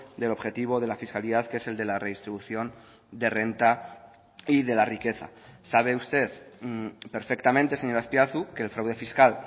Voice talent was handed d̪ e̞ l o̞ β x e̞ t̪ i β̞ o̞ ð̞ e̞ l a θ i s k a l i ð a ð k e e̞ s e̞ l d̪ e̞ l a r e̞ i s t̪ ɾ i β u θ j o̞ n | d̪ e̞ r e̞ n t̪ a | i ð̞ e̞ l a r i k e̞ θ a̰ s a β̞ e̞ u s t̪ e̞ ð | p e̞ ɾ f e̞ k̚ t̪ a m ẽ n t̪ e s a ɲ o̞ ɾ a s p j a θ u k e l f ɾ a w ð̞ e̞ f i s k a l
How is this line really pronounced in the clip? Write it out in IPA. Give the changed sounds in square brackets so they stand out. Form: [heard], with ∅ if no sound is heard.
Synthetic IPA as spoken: d̪ e̞ l o̞ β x e̞ t̪ i β̞ o̞ ð̞ e̞ l a [f] i s k a l i ð a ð k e e̞ s e̞ l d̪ e̞ l a r e̞ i s t̪ ɾ i β u θ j o̞ n | d̪ e̞ r e̞ n t̪ a | i ð̞ e̞ l a r i k e̞ θ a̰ s a β̞ e̞ u s t̪ e̞ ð | p e̞ ɾ f e̞ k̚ t̪ a m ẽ n t̪ e s [e] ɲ o̞ ɾ a s p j a θ u k e l f ɾ a w ð̞ e̞ f i s k a l